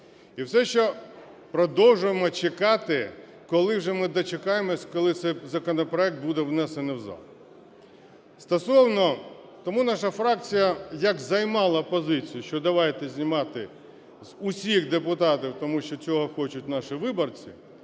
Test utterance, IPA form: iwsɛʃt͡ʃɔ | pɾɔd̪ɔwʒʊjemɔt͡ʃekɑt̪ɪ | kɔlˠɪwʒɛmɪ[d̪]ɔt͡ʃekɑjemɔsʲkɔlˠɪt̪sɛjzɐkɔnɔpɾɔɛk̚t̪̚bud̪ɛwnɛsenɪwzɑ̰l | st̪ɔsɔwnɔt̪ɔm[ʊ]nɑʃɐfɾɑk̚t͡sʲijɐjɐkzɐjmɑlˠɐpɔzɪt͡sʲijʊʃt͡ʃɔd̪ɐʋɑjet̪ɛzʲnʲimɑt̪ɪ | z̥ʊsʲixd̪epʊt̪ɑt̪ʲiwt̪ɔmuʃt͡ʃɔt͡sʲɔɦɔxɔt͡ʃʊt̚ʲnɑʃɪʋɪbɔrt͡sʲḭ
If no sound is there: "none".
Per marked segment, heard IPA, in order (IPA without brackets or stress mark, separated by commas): d̪, u